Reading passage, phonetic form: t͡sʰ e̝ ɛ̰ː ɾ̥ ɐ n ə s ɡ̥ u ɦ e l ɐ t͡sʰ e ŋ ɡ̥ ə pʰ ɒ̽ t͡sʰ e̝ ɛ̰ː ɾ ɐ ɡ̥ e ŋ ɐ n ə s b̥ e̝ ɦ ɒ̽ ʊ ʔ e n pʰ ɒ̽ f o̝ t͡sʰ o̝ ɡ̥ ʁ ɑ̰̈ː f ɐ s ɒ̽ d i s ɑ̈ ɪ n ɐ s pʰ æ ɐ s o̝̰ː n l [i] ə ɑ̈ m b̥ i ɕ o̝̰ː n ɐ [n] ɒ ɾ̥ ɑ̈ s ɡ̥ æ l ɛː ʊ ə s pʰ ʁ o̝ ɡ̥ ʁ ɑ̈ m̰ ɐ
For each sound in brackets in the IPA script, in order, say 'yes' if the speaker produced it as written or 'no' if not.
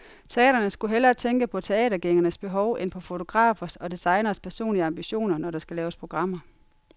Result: yes, yes

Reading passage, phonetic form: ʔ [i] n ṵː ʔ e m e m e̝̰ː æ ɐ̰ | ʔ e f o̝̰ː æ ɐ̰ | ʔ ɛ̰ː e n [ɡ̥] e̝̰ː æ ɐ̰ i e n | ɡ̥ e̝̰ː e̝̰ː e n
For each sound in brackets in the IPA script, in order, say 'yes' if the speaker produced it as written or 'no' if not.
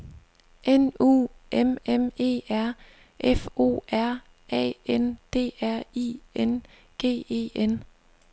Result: no, no

